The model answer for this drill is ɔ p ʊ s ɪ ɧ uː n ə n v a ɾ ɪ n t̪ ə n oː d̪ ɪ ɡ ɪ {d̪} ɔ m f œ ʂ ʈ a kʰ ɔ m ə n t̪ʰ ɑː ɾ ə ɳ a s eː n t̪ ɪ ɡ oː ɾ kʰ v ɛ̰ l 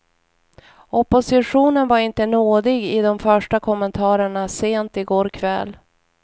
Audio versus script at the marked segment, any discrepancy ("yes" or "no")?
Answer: no